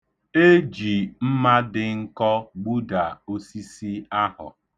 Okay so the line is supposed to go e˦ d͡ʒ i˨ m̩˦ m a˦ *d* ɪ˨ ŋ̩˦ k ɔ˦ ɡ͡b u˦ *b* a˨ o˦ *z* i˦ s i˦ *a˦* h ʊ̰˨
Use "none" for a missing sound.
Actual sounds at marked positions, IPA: d, d, s, a˦

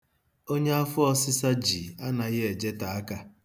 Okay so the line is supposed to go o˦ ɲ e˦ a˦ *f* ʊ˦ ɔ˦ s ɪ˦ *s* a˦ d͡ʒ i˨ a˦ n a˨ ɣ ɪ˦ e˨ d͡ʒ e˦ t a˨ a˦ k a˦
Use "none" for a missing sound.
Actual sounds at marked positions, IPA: f, s

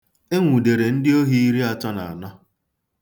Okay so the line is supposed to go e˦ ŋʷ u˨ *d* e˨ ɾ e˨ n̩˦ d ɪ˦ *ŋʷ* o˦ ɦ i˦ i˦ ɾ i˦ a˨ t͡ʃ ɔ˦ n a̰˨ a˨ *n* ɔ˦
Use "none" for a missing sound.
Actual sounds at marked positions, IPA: d, none, n

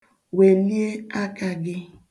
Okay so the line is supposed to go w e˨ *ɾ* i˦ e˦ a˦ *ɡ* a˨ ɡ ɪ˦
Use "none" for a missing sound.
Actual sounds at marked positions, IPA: l, k

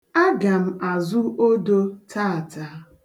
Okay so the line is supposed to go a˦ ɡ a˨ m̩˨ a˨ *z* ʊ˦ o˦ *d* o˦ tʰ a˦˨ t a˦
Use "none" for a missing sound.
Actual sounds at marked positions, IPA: z, d

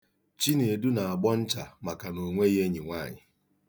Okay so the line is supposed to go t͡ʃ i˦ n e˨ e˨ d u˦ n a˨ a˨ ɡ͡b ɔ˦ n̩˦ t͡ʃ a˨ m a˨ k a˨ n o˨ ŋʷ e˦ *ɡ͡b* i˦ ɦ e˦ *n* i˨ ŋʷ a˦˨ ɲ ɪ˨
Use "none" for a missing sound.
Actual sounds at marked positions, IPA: none, ɲ

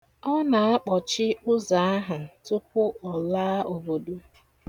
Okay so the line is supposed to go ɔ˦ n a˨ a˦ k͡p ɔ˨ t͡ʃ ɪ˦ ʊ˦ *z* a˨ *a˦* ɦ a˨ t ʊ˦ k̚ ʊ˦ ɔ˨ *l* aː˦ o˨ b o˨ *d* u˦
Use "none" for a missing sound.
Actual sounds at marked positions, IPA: z, a˦, l, d

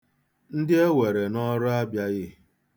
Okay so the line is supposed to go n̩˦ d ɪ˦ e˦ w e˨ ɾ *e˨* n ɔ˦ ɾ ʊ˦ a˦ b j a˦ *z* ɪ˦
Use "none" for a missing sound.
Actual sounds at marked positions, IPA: e˨, ɣ

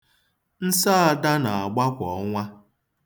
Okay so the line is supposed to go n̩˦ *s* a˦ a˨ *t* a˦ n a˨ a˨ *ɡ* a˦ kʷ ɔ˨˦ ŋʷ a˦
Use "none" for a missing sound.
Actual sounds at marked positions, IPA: s, d, ɡ͡b

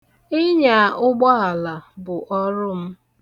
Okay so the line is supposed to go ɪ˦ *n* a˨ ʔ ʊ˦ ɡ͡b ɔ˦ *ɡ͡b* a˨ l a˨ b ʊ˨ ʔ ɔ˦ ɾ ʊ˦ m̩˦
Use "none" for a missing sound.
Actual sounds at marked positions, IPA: ɲ, none

